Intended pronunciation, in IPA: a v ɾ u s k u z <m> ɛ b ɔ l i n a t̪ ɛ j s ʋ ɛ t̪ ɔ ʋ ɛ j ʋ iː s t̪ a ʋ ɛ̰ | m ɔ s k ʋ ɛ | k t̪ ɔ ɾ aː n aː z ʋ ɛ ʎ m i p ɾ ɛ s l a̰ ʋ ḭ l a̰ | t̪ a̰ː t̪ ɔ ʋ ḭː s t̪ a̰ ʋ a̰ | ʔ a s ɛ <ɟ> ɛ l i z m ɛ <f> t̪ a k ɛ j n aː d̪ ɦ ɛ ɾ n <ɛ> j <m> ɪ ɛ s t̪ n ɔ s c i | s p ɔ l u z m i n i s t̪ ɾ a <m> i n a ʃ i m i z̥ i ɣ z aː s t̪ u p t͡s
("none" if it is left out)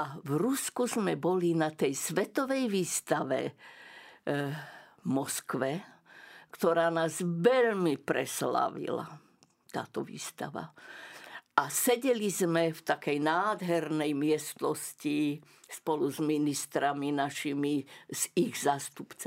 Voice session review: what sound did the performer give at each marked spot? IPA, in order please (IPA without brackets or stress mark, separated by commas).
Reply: m, ɟ, f, ɛ, m, m